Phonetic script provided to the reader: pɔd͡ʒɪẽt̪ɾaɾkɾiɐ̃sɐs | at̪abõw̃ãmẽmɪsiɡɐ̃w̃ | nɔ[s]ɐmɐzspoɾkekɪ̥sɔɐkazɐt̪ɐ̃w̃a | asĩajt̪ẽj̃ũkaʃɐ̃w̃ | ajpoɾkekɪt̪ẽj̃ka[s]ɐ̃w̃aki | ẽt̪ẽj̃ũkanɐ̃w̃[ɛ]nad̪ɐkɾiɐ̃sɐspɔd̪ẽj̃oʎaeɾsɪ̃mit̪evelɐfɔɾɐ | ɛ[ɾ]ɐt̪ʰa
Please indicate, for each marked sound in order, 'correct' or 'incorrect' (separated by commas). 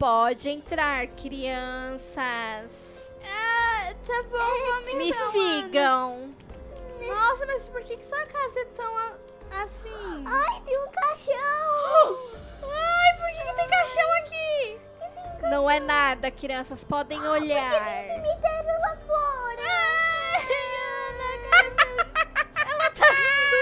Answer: correct, incorrect, correct, incorrect